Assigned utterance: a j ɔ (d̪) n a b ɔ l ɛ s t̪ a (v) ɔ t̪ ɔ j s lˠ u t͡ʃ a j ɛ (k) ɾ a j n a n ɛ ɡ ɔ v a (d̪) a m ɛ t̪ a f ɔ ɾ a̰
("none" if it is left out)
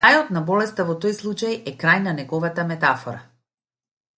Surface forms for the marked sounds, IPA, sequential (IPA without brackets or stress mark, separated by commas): t̪, v, k, t̪